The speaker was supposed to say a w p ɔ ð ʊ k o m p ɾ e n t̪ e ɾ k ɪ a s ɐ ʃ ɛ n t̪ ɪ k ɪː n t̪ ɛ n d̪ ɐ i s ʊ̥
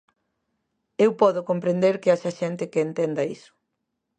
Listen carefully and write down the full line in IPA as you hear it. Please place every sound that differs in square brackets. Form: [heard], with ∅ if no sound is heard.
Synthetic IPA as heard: [e] w p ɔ ð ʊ k o m p ɾ e n [d̪] e ɾ k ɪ a [ʃ] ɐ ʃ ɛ n t̪ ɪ k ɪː n t̪ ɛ n d̪ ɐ i s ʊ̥